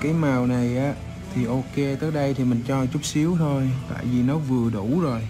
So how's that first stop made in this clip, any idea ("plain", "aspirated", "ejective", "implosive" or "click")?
plain